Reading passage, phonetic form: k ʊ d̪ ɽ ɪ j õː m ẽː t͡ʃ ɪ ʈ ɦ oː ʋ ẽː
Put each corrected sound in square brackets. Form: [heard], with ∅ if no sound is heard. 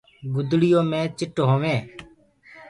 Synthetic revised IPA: [ɡ] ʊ d̪ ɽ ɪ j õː m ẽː t͡ʃ ɪ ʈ ɦ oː ʋ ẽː